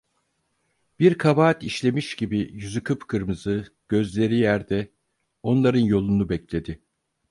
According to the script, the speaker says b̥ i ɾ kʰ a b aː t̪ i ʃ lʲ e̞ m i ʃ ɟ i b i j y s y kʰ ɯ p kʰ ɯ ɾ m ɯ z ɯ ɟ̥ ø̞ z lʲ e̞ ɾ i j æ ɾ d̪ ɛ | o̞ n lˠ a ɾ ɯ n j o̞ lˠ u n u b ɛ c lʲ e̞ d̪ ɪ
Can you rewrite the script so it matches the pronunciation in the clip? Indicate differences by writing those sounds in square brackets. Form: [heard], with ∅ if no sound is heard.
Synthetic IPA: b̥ i ɾ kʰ a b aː t̪ i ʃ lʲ e̞ m i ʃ ɟ i b i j y [z] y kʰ ɯ p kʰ ɯ ɾ m ɯ z ɯ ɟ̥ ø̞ z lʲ e̞ ɾ i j æ ɾ d̪ ɛ | o̞ n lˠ a ɾ ɯ n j o̞ lˠ u n u b ɛ c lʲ e̞ d̪ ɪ

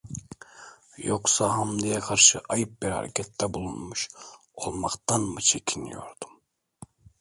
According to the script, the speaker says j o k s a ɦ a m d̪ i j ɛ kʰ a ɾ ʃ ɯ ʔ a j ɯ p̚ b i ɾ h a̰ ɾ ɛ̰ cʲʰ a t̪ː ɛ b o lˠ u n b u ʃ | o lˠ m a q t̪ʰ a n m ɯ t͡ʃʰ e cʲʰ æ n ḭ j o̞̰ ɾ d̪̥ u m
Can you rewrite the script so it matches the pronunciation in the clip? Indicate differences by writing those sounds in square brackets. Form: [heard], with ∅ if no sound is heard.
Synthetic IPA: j o k s a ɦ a m d̪ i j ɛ kʰ a ɾ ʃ ɯ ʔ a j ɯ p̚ b i ɾ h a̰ ɾ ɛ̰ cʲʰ [ɛ] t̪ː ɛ b [u] lˠ u n [m] u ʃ | o lˠ m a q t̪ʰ a n m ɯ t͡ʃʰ e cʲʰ [i] n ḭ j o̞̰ ɾ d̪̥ u m

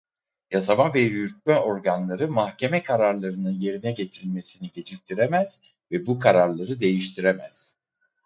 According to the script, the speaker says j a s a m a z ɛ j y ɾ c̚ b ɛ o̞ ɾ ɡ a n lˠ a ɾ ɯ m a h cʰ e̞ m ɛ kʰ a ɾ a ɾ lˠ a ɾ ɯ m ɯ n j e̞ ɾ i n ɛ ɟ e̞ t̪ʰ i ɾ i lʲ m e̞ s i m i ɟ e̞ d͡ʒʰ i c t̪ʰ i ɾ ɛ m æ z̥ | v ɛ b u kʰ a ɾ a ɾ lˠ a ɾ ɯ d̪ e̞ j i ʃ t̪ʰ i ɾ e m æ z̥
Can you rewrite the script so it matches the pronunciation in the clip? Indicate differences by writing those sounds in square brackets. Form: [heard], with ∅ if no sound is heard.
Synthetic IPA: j a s a m a [v] ɛ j y ɾ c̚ [m] ɛ o̞ ɾ ɡ a n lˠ a ɾ ɯ m a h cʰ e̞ m ɛ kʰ a ɾ a ɾ lˠ a ɾ ɯ [n] ɯ n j e̞ ɾ i n ɛ ɟ e̞ t̪ʰ i ɾ i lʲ m e̞ s i [n] i ɟ e̞ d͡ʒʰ i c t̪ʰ i ɾ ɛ m æ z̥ | v ɛ b u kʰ a ɾ a ɾ lˠ a ɾ ɯ d̪ e̞ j i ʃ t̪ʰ i ɾ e m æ z̥

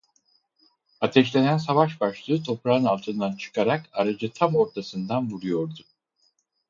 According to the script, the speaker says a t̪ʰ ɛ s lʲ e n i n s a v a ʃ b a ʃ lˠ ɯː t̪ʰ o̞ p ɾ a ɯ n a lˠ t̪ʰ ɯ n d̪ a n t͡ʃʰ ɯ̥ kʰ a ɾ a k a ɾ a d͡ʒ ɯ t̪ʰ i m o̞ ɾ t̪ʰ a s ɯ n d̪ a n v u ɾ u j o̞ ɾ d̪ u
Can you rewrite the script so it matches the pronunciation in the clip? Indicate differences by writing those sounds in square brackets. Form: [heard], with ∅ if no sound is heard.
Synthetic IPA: a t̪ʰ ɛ [ʃ] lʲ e n [æ] n s a v a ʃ b a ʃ lˠ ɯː t̪ʰ o̞ p ɾ a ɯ n a lˠ t̪ʰ ɯ n d̪ a n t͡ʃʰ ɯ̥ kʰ a ɾ a k a ɾ a d͡ʒ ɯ t̪ʰ [a] m o̞ ɾ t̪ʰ a s ɯ n d̪ a n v u ɾ u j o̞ ɾ d̪ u

